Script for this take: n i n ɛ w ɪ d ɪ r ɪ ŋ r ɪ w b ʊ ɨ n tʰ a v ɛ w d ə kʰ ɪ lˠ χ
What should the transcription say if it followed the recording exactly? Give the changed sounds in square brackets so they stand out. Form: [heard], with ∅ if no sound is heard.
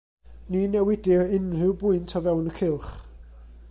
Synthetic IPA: n i n ɛ w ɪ d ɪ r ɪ [n] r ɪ w b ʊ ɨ n tʰ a v ɛ w [n] ə kʰ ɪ lˠ χ